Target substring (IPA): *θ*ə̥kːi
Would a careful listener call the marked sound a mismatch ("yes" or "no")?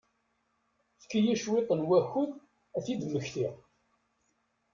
no